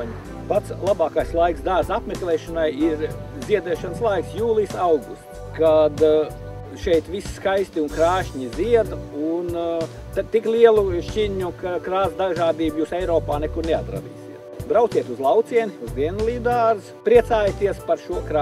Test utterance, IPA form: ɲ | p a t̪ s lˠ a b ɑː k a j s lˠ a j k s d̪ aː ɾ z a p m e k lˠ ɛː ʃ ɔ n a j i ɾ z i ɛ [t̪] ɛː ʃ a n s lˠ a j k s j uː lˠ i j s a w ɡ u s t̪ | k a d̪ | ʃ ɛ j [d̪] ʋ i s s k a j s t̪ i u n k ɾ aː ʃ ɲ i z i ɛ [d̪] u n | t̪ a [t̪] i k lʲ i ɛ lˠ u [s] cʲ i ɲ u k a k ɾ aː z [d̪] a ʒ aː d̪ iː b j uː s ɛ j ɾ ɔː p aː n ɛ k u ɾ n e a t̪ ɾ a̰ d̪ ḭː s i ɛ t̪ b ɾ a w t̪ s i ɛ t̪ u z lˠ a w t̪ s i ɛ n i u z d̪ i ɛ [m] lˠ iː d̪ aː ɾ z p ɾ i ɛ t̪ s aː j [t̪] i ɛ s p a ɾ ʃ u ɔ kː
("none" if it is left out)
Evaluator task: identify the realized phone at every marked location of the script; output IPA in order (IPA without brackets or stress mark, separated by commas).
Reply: d̪, t̪, d̪, t̪, ʃ, d̪, n, t̪